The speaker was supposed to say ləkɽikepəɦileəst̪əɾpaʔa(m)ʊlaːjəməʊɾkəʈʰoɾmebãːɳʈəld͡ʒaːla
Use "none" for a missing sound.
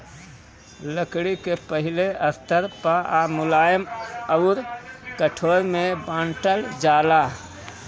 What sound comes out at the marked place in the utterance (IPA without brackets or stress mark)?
m